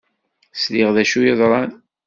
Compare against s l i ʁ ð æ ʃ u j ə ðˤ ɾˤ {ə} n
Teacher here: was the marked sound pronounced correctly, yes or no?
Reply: no